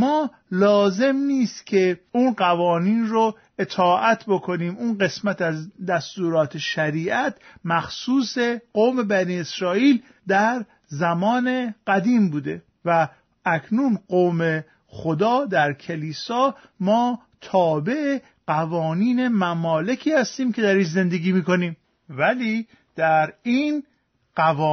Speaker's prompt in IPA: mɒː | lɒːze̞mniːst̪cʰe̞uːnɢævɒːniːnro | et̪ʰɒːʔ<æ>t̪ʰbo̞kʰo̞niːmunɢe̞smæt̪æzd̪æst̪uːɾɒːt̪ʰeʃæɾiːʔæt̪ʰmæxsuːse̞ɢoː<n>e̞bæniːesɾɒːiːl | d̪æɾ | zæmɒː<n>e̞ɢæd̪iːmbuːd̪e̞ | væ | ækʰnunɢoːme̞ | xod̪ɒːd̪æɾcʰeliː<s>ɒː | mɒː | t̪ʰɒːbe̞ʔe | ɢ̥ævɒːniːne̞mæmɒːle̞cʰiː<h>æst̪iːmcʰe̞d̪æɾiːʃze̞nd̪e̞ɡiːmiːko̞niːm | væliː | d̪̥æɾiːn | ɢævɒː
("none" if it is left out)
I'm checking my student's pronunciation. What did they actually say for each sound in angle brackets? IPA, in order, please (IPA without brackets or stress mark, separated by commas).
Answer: æ, m, n, s, h